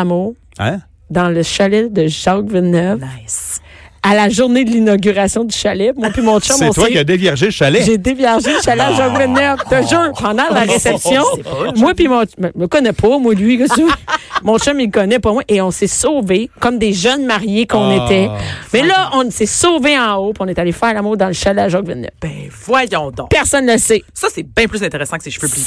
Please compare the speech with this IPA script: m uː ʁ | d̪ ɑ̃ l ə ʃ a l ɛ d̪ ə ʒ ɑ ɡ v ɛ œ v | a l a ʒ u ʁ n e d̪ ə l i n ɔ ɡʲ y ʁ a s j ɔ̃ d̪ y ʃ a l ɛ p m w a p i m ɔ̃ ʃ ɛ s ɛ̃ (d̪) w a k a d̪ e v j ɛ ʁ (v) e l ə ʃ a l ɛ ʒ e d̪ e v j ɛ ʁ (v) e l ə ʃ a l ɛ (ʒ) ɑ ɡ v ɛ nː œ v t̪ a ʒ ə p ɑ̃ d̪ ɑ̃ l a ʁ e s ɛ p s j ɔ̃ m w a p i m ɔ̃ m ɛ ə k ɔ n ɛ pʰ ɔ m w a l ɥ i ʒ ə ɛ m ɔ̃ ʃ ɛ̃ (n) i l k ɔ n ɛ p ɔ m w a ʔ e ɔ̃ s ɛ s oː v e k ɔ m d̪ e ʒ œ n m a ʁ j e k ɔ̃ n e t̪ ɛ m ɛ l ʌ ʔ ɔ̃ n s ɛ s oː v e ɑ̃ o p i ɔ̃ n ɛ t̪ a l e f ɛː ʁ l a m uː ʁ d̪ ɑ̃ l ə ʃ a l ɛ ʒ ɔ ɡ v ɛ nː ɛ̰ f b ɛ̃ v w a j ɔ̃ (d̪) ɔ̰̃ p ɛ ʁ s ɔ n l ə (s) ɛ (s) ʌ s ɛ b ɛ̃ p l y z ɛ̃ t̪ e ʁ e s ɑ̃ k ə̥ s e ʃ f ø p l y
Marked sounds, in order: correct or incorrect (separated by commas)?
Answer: incorrect, incorrect, incorrect, correct, incorrect, correct, correct, correct